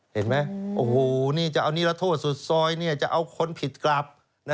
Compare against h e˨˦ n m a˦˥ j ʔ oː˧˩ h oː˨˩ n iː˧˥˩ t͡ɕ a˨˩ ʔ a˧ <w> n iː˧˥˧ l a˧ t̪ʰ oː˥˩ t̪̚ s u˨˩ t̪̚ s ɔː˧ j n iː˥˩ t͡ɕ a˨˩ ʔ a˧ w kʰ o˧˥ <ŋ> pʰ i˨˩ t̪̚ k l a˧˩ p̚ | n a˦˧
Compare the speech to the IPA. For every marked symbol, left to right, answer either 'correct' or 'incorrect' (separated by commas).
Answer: correct, incorrect